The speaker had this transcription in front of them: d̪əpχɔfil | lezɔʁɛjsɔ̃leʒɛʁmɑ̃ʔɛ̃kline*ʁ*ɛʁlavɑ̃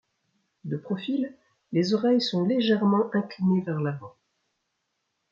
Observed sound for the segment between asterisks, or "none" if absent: v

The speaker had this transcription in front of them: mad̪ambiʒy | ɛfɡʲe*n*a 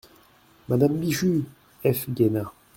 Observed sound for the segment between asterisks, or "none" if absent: n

